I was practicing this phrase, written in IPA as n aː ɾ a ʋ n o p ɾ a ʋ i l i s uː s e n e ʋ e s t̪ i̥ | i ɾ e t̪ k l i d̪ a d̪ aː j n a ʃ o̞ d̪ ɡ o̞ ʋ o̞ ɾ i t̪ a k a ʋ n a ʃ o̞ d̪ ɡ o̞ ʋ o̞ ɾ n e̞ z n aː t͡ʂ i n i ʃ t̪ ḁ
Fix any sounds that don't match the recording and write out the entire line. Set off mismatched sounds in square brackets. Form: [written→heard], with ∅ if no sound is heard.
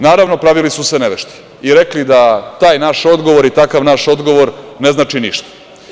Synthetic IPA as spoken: n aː ɾ a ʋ n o p ɾ a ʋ i l i s [uː→u] s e n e ʋ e [s→ʃ] t̪ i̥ | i ɾ e [t̪→∅] k l i d̪ a [d̪→t̪] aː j n a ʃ o̞ d̪ ɡ o̞ ʋ o̞ ɾ i t̪ a k a ʋ n a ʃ o̞ d̪ ɡ o̞ ʋ o̞ ɾ n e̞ z n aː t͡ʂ i n i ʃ t̪ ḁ